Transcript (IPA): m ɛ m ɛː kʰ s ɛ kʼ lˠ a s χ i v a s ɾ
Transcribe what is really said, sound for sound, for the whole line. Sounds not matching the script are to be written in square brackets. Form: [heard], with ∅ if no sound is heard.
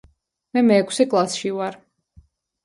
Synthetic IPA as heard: m ɛ m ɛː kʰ s ɛ kʼ lˠ a s [ʃ] i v a [∅] ɾ